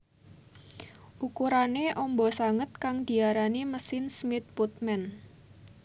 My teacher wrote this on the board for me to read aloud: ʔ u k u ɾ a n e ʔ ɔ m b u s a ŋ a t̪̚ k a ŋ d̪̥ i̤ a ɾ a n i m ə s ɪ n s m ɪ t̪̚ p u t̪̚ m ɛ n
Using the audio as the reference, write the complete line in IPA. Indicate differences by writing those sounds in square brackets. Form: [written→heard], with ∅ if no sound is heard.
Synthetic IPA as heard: ʔ u k u ɾ a n e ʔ ɔ m b [u→ɔ] s a ŋ [a→ə] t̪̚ k a ŋ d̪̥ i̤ a ɾ a n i m ə s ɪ n s m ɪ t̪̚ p u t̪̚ m ɛ n